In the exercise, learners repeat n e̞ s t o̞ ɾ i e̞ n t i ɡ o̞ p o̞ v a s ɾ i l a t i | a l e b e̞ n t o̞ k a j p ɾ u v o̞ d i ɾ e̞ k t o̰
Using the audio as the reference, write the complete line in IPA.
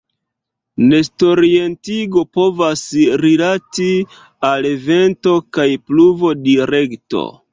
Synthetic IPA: n e̞ s t o̞ ɾ i e̞ n t i ɡ o̞ p o̞ v a s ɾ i l a t i | a l e v e̞ n t o̞ k a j p l u v o̞ d i ɾ e̞ k t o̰